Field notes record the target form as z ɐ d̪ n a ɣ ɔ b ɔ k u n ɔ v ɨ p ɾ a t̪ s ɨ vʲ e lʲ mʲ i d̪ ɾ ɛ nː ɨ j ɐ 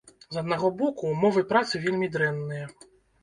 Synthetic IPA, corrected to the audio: z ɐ d̪ n a ɣ ɔ b ɔ k u m ɔ v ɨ p ɾ a t̪ s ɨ vʲ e lʲ mʲ i d̪ ɾ ɛ nː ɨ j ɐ